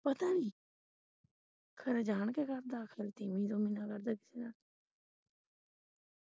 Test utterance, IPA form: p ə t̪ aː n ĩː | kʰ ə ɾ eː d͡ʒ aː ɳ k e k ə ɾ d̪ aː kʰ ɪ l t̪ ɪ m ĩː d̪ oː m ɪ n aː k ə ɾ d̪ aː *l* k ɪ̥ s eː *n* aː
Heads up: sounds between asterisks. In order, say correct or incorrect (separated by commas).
incorrect, correct